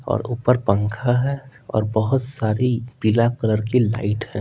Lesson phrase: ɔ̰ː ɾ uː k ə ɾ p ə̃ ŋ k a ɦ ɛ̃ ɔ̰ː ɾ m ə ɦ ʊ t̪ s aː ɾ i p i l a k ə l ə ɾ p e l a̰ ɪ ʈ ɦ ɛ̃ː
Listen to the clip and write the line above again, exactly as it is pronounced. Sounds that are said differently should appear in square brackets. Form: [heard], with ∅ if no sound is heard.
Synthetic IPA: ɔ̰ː ɾ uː [p] ə ɾ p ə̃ ŋ [kʰ] a ɦ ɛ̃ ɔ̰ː ɾ [b] ə ɦ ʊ t̪ s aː ɾ i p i l a k ə l ə ɾ [k] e l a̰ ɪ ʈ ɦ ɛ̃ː